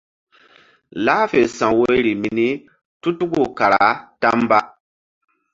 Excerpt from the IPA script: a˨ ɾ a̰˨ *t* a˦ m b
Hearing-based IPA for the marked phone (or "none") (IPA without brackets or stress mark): t